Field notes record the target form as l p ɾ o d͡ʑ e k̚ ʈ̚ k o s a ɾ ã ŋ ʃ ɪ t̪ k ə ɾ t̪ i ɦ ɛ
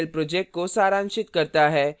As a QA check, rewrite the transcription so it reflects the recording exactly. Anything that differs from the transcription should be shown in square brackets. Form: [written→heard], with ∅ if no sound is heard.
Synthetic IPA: l p ɾ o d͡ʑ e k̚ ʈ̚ k o s a ɾ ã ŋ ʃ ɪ t̪ k ə ɾ t̪ [i→a] ɦ ɛ